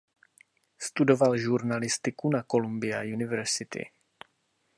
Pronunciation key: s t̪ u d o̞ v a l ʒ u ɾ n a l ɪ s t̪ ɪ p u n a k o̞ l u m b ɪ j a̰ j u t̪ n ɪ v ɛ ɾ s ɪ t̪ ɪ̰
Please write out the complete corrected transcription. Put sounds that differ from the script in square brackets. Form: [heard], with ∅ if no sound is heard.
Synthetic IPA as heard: s t̪ u d o̞ v a l ʒ u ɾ n a l ɪ s t̪ ɪ [k] u n a k o̞ l u m b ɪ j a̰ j u [∅] n ɪ v ɛ ɾ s ɪ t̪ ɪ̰